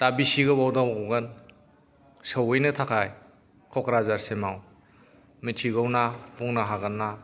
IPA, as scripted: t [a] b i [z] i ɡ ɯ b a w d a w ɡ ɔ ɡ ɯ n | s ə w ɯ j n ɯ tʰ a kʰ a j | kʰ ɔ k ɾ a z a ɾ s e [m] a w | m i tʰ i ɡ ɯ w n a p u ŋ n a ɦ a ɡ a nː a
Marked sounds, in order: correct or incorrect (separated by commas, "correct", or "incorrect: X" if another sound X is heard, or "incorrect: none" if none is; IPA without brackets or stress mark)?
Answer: correct, incorrect: s, correct